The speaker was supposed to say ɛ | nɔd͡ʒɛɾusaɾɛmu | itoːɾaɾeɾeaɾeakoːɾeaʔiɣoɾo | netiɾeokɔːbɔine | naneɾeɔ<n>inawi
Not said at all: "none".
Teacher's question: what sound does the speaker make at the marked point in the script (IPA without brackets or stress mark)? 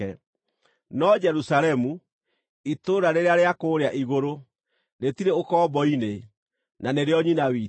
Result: ɲ